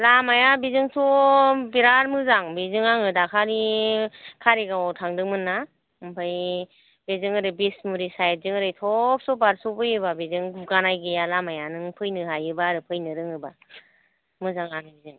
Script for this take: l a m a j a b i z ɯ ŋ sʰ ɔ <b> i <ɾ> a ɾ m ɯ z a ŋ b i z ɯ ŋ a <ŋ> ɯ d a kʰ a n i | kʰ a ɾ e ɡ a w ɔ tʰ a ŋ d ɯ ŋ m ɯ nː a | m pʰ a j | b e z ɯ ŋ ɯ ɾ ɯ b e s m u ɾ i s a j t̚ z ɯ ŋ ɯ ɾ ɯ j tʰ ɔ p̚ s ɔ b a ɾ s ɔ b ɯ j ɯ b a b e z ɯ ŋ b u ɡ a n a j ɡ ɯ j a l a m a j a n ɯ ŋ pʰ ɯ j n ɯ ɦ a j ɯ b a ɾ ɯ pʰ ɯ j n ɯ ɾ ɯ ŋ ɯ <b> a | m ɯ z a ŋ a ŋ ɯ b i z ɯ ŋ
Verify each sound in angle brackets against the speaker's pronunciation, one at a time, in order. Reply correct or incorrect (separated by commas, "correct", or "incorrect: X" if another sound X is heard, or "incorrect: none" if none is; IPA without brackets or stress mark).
correct, correct, correct, correct